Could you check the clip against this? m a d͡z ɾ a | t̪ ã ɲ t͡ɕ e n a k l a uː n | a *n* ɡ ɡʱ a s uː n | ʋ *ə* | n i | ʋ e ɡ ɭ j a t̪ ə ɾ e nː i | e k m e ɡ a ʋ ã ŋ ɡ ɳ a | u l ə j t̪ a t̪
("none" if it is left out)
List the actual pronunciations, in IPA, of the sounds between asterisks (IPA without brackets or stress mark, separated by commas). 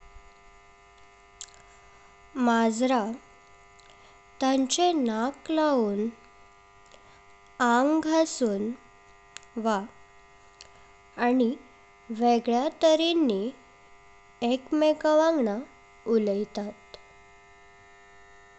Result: ŋ, a